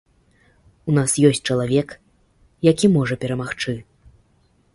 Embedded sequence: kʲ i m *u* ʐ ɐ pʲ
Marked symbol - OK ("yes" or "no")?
no